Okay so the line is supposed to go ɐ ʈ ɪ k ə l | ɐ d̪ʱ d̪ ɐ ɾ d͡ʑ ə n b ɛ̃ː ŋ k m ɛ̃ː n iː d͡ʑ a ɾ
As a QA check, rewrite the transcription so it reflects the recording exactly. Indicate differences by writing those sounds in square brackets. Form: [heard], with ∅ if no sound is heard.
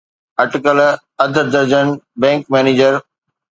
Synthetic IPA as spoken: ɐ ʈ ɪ k ə l | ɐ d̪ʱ d̪ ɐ ɾ d͡ʑ ə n b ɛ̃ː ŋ k m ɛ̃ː n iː d͡ʑ [ə] ɾ